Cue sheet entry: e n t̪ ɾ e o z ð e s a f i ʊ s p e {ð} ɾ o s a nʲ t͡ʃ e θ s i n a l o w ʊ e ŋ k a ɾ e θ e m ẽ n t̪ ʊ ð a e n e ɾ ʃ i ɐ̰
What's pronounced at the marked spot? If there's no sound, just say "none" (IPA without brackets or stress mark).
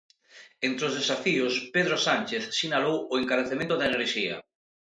ð